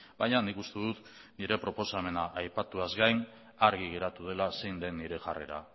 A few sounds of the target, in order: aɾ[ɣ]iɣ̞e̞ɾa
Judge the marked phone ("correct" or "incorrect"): correct